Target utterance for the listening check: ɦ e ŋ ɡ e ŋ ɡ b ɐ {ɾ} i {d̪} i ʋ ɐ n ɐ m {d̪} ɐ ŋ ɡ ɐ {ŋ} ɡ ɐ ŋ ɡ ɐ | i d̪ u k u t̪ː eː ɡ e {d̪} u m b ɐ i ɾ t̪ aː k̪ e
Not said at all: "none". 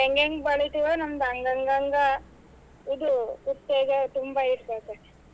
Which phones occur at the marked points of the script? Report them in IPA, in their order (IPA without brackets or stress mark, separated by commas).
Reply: ɭ, t̪, d̪, ŋ, t̪